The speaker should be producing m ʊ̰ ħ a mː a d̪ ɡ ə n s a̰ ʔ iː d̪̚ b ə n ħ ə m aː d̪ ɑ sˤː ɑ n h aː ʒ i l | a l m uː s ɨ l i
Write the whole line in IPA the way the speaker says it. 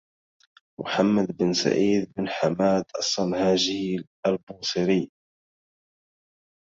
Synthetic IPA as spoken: m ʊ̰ ħ a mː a d̪ b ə n s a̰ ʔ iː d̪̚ b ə n ħ a m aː d̪ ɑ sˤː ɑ n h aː ʒ i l | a l b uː s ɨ ɾ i